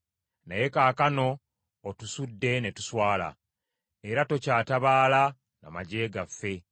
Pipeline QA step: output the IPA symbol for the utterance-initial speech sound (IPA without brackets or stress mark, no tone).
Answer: n